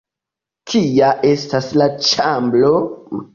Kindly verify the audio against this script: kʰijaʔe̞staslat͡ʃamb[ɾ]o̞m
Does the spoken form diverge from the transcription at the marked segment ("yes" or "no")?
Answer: yes